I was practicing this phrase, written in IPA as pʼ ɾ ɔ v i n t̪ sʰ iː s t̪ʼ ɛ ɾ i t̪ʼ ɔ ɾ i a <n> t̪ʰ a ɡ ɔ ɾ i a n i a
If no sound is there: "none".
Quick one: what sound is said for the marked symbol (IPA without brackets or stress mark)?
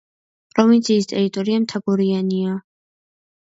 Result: m